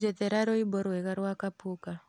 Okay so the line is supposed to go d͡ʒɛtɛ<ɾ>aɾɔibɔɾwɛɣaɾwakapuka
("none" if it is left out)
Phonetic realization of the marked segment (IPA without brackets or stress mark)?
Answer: ɾ